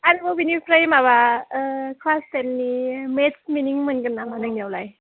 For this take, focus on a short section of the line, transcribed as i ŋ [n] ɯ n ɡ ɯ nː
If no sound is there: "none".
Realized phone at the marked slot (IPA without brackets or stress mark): m